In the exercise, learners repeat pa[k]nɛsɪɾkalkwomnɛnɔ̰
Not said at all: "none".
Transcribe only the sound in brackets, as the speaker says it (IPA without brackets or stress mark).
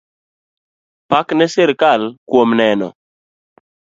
k